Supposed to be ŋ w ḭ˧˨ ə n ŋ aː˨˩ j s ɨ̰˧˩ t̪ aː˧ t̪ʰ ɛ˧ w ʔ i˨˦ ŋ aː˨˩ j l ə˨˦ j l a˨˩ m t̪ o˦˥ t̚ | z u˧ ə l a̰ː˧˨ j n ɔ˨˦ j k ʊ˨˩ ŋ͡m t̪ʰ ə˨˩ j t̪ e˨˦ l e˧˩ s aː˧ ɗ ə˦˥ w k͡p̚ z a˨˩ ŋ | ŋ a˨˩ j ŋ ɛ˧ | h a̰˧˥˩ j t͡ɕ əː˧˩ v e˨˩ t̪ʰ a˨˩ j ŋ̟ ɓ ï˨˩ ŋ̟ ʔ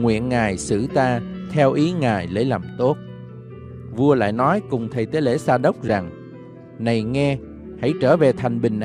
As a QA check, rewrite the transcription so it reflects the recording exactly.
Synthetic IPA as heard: ŋ w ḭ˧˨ ə n ŋ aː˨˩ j s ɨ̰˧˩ t̪ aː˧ t̪ʰ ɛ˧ w ʔ i˨˦ ŋ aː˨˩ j l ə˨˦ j l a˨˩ m t̪ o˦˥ t̚ | v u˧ ə l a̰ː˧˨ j n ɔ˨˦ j k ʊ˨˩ ŋ͡m t̪ʰ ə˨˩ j t̪ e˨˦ l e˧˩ s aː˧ ɗ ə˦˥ w k͡p̚ z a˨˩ ŋ | n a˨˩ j ŋ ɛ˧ | h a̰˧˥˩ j t͡ɕ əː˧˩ v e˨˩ t̪ʰ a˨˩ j ŋ̟ ɓ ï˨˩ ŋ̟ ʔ